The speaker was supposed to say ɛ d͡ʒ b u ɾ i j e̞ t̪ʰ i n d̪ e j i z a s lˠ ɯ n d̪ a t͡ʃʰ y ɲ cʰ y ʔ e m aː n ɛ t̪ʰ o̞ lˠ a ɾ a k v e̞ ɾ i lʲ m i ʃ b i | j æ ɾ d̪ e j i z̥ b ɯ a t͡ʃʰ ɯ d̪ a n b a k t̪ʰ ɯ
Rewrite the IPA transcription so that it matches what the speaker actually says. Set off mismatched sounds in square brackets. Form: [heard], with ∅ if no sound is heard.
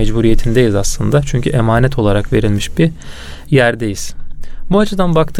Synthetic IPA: ɛ d͡ʒ b u ɾ i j e̞ t̪ʰ i n d̪ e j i z a s lˠ ɯ n d̪ a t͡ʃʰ y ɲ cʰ y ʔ e m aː n ɛ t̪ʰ o̞ lˠ a ɾ a k v e̞ ɾ i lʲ m i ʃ b i | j æ ɾ d̪ e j i z̥ b [u] a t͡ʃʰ ɯ d̪ a n b a k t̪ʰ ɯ